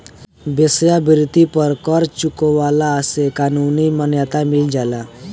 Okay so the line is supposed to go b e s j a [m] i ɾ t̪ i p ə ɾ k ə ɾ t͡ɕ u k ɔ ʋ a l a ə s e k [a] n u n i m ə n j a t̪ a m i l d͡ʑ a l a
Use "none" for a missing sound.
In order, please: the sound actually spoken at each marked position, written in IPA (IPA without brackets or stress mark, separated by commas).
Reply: b, a